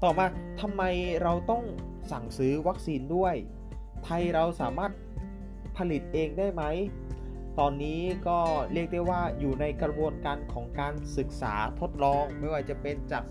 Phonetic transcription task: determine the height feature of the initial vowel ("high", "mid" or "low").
mid